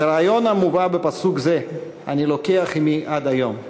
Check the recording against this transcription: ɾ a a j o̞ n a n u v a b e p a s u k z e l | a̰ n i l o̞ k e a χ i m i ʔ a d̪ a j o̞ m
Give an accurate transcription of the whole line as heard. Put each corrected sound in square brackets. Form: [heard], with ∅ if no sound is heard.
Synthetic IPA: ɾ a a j o̞ n a [m] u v a b e p a s u k z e [∅] | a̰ n i l o̞ k e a χ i m i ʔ a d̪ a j o̞ m